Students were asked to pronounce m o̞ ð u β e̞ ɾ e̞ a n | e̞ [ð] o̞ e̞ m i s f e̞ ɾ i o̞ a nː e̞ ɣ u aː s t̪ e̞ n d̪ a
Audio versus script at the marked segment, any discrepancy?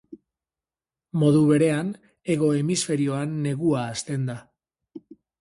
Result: yes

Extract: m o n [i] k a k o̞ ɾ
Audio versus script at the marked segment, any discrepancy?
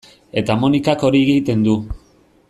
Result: no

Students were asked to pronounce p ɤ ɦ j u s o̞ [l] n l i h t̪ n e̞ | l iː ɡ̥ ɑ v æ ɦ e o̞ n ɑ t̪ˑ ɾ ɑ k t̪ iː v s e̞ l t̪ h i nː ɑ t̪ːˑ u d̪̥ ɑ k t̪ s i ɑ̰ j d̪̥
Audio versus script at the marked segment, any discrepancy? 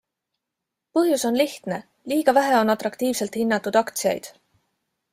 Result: yes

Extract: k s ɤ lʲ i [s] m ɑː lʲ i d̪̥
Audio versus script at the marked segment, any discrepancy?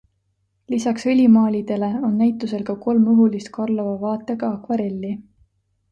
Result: yes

